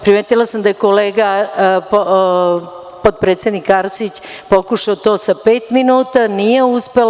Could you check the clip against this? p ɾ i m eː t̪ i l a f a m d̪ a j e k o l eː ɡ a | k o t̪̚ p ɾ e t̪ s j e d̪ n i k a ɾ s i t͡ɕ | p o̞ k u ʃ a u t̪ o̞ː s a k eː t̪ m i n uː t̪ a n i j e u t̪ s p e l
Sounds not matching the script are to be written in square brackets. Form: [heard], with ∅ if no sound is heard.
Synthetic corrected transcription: p ɾ i m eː t̪ i l a [s] a m d̪ a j e k o l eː ɡ a | [p] o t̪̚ p ɾ e t̪ s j e d̪ n i k a ɾ s i t͡ɕ | p o̞ k u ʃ a [o] t̪ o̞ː s a [p] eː t̪ m i n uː t̪ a n i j e u [∅] s p e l